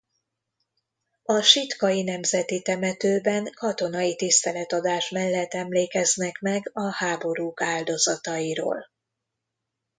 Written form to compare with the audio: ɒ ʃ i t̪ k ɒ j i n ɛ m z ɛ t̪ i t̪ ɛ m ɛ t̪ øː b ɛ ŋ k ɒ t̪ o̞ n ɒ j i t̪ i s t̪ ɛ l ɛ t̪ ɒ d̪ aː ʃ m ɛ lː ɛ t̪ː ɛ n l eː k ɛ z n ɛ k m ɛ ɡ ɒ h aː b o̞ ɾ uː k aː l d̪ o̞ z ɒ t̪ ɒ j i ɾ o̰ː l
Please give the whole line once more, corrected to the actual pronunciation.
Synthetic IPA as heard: ɒ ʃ i t̪ k ɒ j i n ɛ m z ɛ t̪ i t̪ ɛ m ɛ t̪ øː b ɛ ŋ k ɒ t̪ o̞ n ɒ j i t̪ i s t̪ ɛ l ɛ t̪ ɒ d̪ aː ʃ m ɛ lː ɛ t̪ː ɛ m l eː k ɛ z n ɛ k m ɛ ɡ ɒ h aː b o̞ ɾ uː k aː l d̪ o̞ z ɒ t̪ ɒ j i ɾ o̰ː l